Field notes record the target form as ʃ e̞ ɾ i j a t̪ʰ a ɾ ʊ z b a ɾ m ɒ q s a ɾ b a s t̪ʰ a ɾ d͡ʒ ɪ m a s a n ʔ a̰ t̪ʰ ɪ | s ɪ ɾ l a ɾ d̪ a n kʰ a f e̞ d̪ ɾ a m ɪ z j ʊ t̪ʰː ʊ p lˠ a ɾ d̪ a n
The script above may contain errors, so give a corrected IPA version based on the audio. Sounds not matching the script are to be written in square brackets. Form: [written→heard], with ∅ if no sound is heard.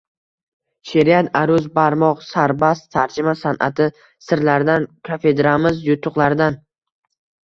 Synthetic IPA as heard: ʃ e̞ ɾ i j a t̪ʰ a ɾ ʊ z b a ɾ m ɒ q s a ɾ b a s t̪ʰ a ɾ d͡ʒ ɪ m a s a n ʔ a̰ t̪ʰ ɪ | s ɪ ɾ l a ɾ d̪ a n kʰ a f e̞ d̪ ɾ a m ɪ z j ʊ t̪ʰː ʊ [p→q] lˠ a ɾ d̪ a n